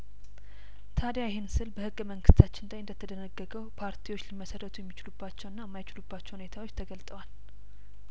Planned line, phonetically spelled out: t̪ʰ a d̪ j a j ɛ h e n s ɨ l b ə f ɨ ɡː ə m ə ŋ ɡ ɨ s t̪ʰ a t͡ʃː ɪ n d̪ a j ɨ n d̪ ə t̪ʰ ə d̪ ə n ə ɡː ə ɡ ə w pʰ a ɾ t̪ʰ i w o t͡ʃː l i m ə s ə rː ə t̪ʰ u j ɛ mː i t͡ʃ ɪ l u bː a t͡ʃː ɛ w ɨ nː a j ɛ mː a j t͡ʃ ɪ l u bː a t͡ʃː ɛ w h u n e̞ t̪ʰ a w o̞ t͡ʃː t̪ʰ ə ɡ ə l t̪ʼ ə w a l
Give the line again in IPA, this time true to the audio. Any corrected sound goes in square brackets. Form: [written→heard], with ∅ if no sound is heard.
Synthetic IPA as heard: t̪ʰ a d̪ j a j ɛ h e n s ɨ l b ə [f→h] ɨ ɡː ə m ə ŋ ɡ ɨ s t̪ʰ a t͡ʃː ɪ n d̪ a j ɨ n d̪ ə t̪ʰ ə d̪ ə n ə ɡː ə ɡ ə w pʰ a ɾ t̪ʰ i w o t͡ʃː l i m ə s ə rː ə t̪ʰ u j ɛ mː i t͡ʃ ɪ l u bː a t͡ʃː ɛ w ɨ nː a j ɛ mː a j t͡ʃ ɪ l u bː a t͡ʃː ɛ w h u n e̞ t̪ʰ a w o̞ t͡ʃː t̪ʰ ə ɡ ə l t̪ʼ ə w a l